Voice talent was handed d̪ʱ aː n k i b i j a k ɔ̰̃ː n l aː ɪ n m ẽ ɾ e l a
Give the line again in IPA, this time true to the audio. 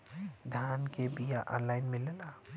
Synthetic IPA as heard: d̪ʱ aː n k e b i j a ʔ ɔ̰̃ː n l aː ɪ n m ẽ l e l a